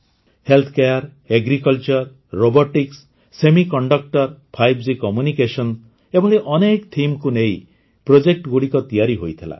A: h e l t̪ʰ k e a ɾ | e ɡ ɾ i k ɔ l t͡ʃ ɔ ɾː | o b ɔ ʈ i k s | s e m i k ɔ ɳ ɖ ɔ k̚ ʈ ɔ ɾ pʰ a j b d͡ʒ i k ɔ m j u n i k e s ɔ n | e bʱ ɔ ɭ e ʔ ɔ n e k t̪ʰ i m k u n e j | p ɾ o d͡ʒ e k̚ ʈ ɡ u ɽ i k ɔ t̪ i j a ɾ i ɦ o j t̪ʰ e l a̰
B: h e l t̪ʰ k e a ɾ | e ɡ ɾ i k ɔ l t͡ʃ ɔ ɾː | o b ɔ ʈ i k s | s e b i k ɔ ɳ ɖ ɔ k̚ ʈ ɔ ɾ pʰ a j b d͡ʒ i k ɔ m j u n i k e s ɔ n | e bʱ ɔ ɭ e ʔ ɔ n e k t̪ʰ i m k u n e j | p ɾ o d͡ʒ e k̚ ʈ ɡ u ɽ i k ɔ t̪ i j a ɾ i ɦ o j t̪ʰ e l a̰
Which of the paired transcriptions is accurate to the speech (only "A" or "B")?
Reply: A